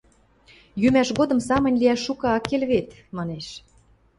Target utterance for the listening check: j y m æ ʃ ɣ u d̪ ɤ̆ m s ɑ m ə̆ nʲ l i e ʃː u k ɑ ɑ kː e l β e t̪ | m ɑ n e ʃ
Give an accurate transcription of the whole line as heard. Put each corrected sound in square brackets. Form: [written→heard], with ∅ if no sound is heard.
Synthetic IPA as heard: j y m æ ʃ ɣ [u→o] d̪ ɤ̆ m s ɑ m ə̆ nʲ l i [e→æ] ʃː u k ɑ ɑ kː e l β e t̪ | m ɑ n e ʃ

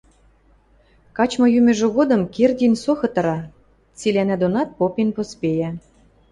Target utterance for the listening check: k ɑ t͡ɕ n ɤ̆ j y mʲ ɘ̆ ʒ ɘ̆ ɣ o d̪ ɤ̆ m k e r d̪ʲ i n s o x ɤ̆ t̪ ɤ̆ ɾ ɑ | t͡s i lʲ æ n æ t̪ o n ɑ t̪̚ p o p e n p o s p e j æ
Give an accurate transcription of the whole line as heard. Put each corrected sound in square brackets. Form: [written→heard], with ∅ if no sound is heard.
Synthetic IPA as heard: k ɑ t͡ɕ [n→m] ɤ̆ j y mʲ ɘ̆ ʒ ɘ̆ ɣ o d̪ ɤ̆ m k e r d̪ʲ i n s o x ɤ̆ t̪ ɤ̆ ɾ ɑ | t͡s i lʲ æ n æ [t̪→d̪] o n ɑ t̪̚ p o p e n p o s p e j æ

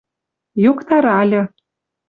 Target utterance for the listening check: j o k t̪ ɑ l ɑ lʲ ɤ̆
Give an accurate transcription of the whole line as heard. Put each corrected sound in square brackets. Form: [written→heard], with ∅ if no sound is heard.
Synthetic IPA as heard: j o k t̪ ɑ [l→ɾ] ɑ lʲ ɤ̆

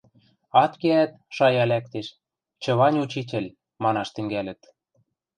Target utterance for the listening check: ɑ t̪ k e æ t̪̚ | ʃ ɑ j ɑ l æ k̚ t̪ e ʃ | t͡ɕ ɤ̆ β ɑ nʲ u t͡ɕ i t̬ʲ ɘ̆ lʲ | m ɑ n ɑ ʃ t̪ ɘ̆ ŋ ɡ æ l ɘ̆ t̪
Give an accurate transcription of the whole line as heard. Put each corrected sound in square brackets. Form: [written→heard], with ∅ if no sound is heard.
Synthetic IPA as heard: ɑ t̪ k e æ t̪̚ | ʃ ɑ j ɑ l æ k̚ t̪ e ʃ | t͡ɕ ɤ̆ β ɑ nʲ u t͡ɕ i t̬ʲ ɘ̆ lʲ | m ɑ n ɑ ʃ t̪ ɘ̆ ŋ ɡ æ l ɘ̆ t̪

